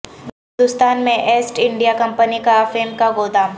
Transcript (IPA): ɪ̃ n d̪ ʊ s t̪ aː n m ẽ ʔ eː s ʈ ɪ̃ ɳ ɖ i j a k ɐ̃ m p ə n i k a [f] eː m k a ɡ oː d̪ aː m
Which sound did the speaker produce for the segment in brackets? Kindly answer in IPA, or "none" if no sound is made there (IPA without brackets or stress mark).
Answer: f